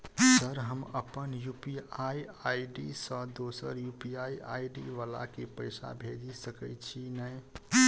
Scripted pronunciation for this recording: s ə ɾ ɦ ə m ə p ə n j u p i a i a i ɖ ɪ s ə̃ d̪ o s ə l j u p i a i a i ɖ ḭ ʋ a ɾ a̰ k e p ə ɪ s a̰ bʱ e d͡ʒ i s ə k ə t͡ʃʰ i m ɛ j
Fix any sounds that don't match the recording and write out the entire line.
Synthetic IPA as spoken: s ə ɾ ɦ ə m ə p ə n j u p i a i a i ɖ i s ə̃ d̪ o s ə ɾ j u p i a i a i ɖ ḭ ʋ a l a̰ k e p ə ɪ s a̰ bʱ e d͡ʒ i s ə k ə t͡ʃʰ i n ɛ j